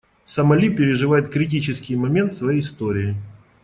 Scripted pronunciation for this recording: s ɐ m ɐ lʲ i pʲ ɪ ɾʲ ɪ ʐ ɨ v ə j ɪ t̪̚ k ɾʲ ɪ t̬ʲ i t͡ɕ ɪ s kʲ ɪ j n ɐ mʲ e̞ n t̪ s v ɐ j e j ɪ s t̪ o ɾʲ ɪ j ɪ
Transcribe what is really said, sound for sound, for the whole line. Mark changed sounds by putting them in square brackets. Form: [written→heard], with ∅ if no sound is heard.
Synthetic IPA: s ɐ m ɐ lʲ i pʲ ɪ ɾʲ ɪ ʐ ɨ v [ə→a] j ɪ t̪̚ k ɾʲ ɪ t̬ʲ i t͡ɕ ɪ s kʲ ɪ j [n→m] ɐ mʲ e̞ n t̪ s v ɐ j e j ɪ s t̪ o ɾʲ ɪ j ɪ